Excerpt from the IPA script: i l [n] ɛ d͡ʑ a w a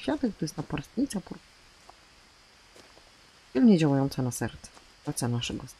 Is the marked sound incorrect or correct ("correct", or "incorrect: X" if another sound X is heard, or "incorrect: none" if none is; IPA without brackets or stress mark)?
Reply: incorrect: ɲ